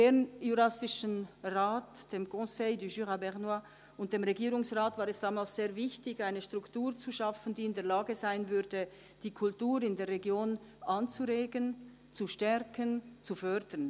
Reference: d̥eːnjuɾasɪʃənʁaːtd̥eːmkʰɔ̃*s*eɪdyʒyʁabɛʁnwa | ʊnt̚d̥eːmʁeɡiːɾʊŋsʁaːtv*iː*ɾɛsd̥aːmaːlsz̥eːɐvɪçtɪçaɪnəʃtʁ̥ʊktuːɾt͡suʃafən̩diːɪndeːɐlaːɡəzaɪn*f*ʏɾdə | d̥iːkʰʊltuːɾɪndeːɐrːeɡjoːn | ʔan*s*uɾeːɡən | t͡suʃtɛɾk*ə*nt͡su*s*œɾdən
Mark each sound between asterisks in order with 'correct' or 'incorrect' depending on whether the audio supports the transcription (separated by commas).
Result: correct, incorrect, incorrect, incorrect, correct, incorrect